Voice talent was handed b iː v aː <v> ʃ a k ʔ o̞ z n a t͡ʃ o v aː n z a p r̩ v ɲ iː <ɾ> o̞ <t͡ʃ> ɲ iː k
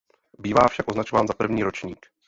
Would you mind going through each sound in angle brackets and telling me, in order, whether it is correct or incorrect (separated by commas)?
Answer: incorrect, correct, correct